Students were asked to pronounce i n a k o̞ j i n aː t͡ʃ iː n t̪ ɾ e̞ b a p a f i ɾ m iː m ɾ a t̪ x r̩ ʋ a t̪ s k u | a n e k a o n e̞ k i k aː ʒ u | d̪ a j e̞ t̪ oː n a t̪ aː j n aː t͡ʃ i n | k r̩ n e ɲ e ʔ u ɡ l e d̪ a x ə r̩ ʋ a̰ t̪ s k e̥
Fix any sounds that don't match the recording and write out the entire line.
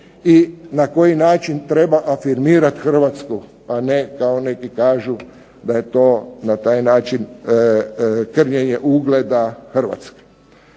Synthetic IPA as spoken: i n a k o̞ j i n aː t͡ʃ i n t̪ ɾ e̞ b a ʔ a f i ɾ m iː ɾ a t̪ x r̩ ʋ a t̪ s k u | a n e k a o n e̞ k i k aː ʒ u | d̪ a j e̞ t̪ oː n a t̪ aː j n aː t͡ʃ i n | k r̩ ɲ e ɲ e ʔ u ɡ l e d̪ a x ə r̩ ʋ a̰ t̪ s k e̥